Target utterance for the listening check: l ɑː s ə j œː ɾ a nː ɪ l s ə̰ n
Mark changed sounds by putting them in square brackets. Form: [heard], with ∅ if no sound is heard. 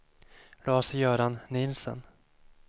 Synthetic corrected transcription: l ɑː s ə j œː ɾ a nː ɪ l s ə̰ n